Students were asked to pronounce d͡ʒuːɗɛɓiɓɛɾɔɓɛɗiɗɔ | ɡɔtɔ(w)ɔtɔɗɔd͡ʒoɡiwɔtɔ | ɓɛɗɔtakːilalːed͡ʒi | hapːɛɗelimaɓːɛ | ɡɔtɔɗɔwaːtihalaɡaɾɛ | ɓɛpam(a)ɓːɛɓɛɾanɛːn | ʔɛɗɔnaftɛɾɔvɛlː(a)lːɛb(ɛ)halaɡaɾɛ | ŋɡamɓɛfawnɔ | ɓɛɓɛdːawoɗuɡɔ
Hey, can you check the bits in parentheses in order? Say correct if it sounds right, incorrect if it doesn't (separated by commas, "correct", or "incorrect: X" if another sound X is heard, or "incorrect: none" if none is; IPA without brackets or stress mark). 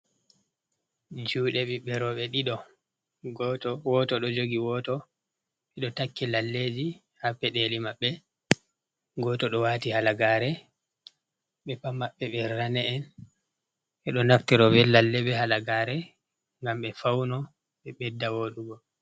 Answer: correct, correct, correct, correct